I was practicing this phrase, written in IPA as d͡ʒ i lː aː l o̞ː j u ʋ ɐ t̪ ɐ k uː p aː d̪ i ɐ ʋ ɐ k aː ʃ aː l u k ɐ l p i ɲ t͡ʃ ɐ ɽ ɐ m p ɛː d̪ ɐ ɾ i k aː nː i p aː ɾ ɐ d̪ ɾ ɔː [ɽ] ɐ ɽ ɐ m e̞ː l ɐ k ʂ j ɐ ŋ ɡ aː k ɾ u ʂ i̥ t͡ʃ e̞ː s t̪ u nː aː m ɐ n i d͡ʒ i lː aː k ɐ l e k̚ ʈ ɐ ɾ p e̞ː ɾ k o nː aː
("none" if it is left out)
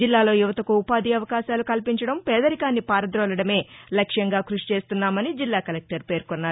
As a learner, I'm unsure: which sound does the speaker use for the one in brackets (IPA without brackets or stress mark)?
l